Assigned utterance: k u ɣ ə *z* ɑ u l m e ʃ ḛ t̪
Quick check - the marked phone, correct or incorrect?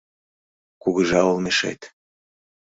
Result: incorrect